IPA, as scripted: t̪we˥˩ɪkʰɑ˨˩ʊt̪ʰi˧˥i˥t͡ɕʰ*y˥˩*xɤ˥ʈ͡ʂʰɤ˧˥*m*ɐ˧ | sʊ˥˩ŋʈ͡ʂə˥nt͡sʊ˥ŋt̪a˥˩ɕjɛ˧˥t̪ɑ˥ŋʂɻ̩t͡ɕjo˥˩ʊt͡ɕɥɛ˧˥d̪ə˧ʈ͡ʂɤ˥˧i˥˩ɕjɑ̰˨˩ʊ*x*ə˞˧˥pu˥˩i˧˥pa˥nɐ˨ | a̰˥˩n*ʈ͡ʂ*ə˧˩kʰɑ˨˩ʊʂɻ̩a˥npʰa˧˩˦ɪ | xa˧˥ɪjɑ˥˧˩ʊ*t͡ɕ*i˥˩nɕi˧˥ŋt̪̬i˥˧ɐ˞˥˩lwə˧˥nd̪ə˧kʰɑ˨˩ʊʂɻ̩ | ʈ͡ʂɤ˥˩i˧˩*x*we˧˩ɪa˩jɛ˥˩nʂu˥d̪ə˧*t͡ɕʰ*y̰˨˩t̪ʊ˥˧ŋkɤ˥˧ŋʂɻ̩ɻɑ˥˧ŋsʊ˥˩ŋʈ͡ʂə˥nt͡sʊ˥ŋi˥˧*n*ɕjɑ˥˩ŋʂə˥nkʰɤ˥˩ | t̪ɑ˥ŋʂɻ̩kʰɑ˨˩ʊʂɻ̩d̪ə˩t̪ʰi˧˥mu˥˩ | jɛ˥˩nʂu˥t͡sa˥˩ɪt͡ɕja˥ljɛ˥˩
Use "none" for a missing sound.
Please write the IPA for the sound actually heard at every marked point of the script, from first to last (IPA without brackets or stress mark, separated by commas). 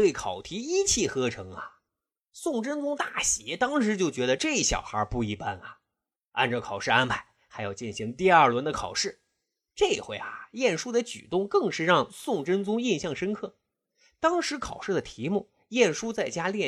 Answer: i˥˩, ŋ, x, ʈ͡ʂ, t͡ɕ, x, t͡ɕ, n